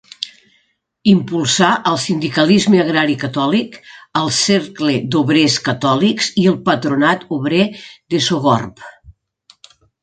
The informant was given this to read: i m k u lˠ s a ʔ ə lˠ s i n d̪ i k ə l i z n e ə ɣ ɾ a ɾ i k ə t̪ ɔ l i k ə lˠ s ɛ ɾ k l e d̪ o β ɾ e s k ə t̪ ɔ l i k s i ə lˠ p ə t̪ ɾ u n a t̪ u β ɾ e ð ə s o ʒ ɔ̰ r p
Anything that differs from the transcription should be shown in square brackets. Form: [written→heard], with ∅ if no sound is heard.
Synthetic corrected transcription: i m [k→p] u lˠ s a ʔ ə lˠ s i n d̪ i k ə l i z [n→m] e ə ɣ ɾ a ɾ i k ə t̪ ɔ l i k ə lˠ s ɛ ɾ k l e d̪ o β ɾ e s k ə t̪ ɔ l i k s i ə lˠ p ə t̪ ɾ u n a t̪ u β ɾ e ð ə s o [ʒ→ɣ] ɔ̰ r p

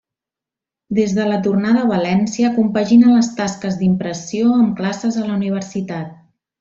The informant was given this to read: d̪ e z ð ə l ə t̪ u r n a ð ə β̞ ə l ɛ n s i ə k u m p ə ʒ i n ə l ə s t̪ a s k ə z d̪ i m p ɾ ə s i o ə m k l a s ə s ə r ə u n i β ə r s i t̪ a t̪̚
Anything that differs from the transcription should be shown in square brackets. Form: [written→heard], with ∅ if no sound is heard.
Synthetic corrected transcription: d̪ e z ð ə l ə t̪ u r n a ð ə β̞ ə l ɛ n s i ə k u m p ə ʒ i n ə l ə s t̪ a s k ə z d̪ i m p ɾ ə s i o ə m k l a s ə [s→z] ə [r→l] ə u n i β ə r s i t̪ a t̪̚

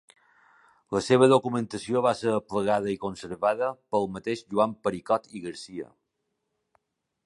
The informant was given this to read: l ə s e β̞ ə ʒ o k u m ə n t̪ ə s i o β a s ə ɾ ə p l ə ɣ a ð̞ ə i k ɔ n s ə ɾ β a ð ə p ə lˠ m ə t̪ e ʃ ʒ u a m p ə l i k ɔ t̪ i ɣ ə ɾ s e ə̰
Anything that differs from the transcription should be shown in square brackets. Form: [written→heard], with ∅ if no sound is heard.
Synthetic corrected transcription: l ə s e β̞ ə [ʒ→ð] o k u m ə n t̪ ə s i o β a s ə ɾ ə p l ə ɣ a ð̞ ə i k [ɔ→o] n s ə ɾ β a ð ə p ə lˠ m ə t̪ e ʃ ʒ u a m p ə [l→ɾ] i k ɔ t̪ i ɣ ə ɾ s [e→i] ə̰

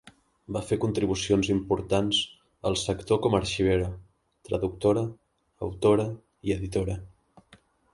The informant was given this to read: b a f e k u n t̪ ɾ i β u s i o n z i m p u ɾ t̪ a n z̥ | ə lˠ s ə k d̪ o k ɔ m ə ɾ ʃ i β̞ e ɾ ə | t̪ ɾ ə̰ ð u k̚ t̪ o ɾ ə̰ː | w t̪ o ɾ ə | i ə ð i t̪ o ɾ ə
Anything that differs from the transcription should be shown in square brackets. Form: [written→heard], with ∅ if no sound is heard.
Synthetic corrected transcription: b a f e k u n t̪ ɾ i β u s i o n z i m p u ɾ t̪ a n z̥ | ə lˠ s ə k [d̪→t̪] o k ɔ m ə ɾ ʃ i β̞ e ɾ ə | t̪ ɾ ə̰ ð u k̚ t̪ o ɾ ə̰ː | w t̪ o ɾ ə | i ə ð i t̪ o ɾ ə

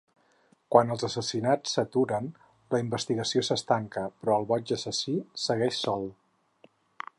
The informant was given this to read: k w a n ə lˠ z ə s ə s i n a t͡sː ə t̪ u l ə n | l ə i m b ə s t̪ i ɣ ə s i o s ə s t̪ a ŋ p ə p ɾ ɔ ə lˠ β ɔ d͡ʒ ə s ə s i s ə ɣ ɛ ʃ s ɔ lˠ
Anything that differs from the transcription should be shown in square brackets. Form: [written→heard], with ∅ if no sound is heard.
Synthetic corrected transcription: k w a n ə lˠ z ə s ə s i n a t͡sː ə t̪ u [l→ɾ] ə n | l ə i m b ə s t̪ i ɣ ə s i o s ə s t̪ a ŋ [p→k] ə p ɾ ɔ ə lˠ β ɔ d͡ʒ ə s ə s i s ə ɣ ɛ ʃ s ɔ lˠ

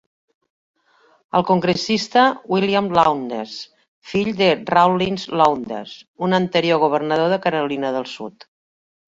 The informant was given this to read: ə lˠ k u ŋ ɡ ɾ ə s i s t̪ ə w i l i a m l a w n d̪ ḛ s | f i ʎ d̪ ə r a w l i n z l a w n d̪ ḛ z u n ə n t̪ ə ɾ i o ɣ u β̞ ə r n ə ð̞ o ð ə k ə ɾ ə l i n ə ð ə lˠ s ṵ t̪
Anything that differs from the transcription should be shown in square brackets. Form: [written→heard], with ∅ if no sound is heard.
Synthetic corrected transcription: ə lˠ k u ŋ ɡ ɾ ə s i s t̪ ə w i l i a m l a w n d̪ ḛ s | f i ʎ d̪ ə r a w l i n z l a w n d̪ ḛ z u n ə n t̪ ə ɾ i o ɣ u β̞ ə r n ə ð̞ o ð ə k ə ɾ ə l i n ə ð ə lˠ s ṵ t̪

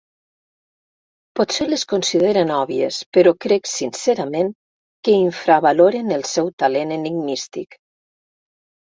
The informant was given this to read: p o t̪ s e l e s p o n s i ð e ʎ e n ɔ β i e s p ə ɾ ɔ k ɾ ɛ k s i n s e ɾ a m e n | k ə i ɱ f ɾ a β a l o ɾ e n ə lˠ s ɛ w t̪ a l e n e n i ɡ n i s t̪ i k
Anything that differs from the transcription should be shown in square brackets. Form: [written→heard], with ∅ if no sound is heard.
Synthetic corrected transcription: p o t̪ s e l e s [p→k] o n s i ð e [ʎ→ɾ] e n ɔ β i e s p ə ɾ ɔ k ɾ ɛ k s i n s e ɾ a m e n | k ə i ɱ f ɾ a β a l o ɾ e n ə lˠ s ɛ w t̪ a l e n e n i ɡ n i s t̪ i k

